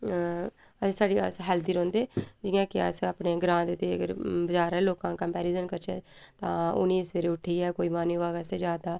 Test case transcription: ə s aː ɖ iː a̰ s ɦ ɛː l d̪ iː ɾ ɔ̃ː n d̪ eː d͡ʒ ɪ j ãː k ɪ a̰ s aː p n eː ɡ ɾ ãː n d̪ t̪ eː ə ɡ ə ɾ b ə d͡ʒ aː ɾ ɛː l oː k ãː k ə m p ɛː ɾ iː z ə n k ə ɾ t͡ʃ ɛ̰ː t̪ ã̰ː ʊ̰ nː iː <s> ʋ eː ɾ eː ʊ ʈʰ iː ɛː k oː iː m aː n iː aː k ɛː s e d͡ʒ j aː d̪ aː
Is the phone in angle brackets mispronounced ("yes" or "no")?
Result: no